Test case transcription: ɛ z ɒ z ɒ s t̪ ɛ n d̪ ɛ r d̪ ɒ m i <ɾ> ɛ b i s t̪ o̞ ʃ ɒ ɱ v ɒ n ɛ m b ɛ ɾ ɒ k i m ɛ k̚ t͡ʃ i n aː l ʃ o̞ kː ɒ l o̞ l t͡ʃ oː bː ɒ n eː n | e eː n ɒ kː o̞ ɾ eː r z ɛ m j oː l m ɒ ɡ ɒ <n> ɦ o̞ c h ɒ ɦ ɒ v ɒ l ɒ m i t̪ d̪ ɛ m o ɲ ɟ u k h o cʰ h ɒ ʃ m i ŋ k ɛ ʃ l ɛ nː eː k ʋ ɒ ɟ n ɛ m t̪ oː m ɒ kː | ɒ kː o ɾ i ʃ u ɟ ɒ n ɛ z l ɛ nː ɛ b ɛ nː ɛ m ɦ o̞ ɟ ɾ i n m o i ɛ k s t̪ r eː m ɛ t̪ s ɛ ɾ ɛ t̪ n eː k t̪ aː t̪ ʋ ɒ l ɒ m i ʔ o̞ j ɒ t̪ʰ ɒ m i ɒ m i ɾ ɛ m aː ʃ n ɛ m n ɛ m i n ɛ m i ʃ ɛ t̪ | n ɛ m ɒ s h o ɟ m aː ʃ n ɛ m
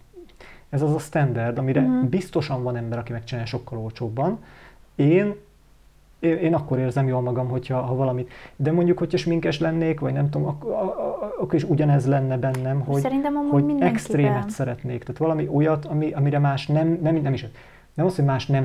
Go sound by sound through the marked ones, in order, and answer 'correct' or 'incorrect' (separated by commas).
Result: correct, incorrect